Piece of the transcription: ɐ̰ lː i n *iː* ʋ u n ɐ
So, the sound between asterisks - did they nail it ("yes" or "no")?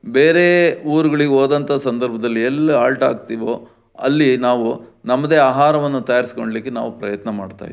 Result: no